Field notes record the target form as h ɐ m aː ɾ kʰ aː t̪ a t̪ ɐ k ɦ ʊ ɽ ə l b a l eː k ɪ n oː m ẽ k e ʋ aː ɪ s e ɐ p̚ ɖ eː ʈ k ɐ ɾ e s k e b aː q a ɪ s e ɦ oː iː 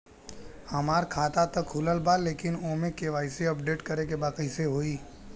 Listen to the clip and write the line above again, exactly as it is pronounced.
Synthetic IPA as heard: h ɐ m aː ɾ kʰ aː t̪ a t̪ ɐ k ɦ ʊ l ə l b a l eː k ɪ n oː m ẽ k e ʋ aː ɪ s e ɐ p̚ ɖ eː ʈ k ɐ ɾ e k e b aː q ə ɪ s e ɦ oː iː